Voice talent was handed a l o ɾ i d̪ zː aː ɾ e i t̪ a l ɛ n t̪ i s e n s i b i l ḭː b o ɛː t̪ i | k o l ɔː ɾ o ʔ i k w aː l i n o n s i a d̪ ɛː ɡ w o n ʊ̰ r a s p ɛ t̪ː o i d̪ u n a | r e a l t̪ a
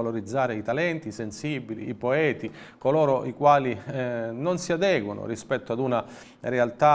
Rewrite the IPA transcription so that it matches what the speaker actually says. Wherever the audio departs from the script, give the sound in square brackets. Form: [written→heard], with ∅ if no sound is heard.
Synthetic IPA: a l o ɾ i d̪ zː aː ɾ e i t̪ a l ɛ n t̪ i s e n s i b i l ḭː [b→p] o ɛː t̪ i | k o l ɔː ɾ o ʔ i k w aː l i n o n s i a d̪ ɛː ɡ w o n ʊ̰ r [a→i] s p ɛ t̪ː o [i→a] d̪ u n a | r e a l t̪ a